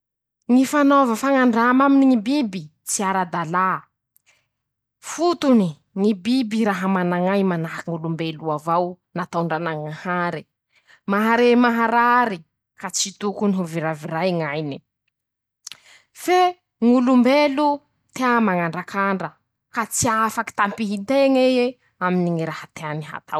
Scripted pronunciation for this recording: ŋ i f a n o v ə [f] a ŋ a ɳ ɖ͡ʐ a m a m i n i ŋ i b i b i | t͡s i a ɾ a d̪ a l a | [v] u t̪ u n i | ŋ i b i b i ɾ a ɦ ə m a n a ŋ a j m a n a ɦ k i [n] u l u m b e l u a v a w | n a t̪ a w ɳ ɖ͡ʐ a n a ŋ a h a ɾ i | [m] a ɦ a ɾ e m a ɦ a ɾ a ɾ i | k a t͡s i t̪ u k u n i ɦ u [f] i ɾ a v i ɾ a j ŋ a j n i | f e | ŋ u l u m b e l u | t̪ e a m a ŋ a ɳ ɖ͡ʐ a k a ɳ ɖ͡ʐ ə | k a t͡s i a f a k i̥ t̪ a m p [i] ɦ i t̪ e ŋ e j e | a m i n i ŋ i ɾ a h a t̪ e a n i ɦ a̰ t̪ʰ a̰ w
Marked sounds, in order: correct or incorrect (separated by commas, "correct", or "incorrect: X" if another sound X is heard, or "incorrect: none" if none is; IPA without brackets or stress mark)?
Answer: correct, incorrect: f, incorrect: ŋ, correct, incorrect: v, correct